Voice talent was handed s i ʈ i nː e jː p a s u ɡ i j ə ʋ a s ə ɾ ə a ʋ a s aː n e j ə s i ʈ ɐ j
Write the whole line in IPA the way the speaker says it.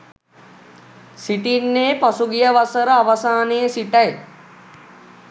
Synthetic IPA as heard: s i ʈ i nː e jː p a s u ɡ i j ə ʋ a s ə ɾ ə a ʋ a s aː n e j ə s i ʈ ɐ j